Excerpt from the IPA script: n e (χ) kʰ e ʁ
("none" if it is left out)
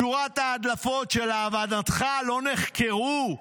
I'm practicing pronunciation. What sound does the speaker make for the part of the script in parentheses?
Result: χ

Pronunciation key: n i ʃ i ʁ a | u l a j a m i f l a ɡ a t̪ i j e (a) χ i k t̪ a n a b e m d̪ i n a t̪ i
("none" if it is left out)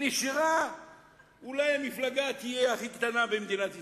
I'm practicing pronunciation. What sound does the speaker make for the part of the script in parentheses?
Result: a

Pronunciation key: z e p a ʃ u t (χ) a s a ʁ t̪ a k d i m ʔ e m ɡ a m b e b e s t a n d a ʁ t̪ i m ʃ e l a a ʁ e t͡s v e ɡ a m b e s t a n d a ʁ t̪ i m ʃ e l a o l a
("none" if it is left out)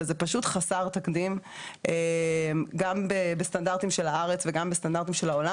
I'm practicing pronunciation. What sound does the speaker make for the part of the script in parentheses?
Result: χ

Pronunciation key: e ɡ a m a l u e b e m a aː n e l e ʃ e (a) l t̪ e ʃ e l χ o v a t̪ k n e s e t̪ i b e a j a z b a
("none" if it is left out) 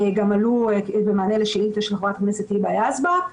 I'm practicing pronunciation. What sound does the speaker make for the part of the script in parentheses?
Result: i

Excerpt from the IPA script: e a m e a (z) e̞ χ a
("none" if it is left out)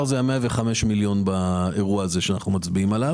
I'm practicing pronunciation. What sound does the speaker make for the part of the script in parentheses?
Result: v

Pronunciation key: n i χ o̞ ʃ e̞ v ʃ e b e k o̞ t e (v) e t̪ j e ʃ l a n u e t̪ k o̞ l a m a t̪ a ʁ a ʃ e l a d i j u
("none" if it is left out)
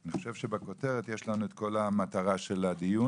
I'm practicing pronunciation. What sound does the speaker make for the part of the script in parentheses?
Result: ʁ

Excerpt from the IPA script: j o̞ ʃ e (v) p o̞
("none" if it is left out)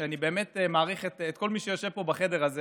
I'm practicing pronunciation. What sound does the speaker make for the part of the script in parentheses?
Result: v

